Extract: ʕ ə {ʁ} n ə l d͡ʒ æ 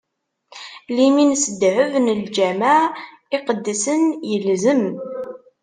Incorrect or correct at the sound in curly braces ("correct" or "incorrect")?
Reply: incorrect